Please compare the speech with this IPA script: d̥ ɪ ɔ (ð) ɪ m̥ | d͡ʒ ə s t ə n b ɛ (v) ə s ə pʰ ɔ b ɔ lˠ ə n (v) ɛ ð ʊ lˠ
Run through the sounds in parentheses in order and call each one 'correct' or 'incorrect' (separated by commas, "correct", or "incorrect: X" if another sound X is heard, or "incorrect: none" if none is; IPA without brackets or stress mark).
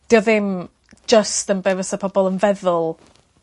correct, correct, correct